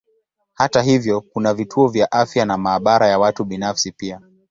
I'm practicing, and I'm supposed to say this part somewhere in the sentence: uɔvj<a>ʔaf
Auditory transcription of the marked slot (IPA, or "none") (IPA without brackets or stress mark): a